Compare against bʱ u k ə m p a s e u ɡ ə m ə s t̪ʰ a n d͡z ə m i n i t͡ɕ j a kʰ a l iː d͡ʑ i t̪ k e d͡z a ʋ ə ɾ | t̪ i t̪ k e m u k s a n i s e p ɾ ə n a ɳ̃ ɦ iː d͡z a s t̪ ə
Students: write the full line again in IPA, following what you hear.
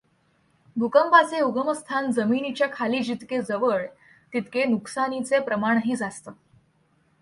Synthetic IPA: bʱ u k ə m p a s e u ɡ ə m ə s t̪ʰ a n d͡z ə m i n i t͡ɕ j a kʰ a l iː d͡ʑ i t̪ k e d͡z ə ʋ ə ɭ | t̪ i t̪ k e n u k s a n i t͡s e p ɾ ə m a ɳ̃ ɦ iː d͡z a s t̪ ə